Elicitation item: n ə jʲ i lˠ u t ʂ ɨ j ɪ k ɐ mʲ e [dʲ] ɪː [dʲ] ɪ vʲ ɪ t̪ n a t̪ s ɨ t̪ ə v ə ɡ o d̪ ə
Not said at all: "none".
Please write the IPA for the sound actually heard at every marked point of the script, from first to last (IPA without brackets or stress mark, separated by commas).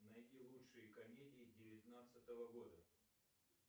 dʲ, dʲ